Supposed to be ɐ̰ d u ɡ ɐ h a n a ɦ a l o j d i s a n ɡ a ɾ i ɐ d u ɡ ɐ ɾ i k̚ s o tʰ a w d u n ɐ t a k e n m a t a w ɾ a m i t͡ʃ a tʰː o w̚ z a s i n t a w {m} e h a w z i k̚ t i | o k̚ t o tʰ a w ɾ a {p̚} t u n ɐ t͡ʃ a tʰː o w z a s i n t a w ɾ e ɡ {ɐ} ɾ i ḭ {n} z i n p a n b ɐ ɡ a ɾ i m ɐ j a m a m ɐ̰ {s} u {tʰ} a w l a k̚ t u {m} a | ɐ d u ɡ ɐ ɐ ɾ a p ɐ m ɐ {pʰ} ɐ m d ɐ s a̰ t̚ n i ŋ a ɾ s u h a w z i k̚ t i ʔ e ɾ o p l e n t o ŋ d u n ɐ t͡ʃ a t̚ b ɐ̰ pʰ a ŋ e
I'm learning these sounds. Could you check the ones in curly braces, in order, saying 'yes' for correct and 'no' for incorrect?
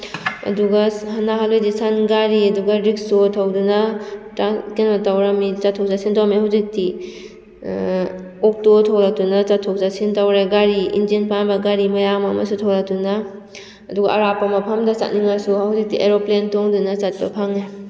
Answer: yes, no, no, yes, yes, yes, no, yes

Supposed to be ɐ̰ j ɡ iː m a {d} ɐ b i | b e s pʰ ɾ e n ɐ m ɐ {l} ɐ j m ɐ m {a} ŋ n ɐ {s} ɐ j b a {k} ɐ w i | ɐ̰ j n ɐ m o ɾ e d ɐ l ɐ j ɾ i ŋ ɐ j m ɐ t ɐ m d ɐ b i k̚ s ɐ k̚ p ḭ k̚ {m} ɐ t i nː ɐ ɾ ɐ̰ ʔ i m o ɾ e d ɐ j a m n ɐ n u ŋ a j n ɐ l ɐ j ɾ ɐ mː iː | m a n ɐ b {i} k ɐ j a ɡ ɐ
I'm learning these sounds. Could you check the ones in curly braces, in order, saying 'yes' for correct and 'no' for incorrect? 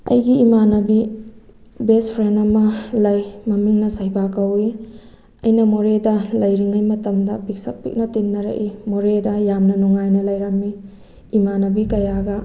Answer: no, yes, no, yes, yes, no, yes

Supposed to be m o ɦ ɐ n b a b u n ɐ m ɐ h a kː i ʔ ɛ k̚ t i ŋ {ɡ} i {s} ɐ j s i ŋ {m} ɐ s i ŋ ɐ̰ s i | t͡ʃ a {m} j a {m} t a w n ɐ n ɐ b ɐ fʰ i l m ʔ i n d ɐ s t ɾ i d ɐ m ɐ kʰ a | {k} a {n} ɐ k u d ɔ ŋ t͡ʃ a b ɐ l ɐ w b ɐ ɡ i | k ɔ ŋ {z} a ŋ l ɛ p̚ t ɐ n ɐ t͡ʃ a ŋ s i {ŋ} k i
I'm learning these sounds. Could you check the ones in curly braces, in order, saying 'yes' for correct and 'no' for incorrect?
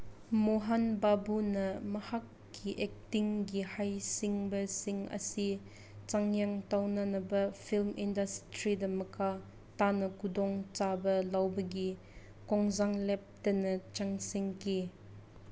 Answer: yes, no, no, no, no, no, yes, yes, yes

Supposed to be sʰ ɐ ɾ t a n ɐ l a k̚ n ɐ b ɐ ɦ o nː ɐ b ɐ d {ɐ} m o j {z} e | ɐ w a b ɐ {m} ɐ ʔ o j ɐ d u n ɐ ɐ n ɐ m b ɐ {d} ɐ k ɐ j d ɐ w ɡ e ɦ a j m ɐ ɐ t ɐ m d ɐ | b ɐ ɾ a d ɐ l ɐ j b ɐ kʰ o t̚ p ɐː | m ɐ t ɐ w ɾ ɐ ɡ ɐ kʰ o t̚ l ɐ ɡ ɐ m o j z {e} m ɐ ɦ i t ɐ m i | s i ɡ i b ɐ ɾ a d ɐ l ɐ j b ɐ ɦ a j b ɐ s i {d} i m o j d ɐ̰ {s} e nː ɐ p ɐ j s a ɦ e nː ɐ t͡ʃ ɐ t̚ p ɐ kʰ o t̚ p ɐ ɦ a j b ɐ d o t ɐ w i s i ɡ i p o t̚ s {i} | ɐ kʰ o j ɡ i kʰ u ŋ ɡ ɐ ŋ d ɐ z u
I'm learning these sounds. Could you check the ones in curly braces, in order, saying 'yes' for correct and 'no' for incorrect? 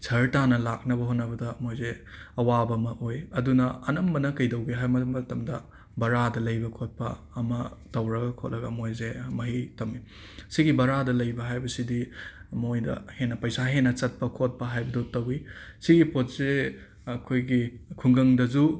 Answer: yes, yes, yes, no, yes, yes, no, no

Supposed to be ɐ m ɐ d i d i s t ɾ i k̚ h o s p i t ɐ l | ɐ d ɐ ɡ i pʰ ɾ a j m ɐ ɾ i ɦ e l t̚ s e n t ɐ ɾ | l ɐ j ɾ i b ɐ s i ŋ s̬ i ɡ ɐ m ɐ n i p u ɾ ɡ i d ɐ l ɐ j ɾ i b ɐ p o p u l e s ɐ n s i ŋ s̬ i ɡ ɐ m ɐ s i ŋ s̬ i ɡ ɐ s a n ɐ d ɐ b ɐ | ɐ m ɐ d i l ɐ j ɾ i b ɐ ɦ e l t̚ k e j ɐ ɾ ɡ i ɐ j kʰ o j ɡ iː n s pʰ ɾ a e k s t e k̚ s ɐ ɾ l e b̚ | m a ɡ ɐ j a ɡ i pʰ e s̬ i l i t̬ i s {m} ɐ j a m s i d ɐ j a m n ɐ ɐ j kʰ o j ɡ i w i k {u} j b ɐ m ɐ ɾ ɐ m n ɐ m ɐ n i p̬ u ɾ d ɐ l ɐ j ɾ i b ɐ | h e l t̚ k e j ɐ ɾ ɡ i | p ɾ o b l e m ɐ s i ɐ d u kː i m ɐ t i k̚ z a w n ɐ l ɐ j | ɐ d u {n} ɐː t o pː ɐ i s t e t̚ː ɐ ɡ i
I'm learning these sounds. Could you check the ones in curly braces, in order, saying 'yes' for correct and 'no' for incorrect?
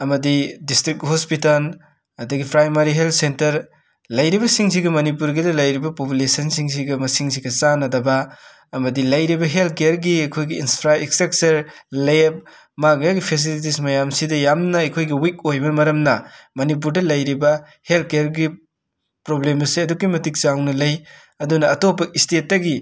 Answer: yes, no, yes

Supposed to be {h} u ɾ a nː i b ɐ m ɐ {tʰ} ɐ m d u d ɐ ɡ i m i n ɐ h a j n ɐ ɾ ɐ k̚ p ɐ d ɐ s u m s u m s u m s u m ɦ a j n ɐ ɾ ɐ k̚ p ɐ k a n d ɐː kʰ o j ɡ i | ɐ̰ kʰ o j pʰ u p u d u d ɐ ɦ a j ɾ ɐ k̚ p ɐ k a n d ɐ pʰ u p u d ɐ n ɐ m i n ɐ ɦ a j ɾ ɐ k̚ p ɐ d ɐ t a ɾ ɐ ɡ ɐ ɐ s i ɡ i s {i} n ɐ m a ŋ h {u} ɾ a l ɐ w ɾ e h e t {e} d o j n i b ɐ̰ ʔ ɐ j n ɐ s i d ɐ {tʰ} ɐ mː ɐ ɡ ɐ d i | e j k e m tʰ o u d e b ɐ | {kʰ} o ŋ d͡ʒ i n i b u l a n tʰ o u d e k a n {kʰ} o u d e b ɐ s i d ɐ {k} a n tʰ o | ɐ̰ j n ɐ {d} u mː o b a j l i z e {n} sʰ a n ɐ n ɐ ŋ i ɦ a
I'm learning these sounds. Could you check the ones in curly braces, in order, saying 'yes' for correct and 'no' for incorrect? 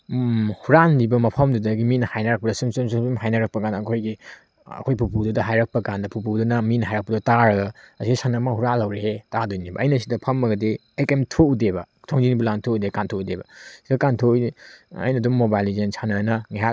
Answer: yes, no, no, yes, no, no, no, no, yes, yes, yes

